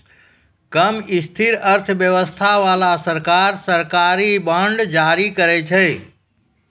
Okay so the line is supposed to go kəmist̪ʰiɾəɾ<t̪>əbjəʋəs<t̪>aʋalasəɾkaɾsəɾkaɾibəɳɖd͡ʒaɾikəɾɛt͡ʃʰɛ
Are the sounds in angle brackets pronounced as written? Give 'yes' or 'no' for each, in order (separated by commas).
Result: no, no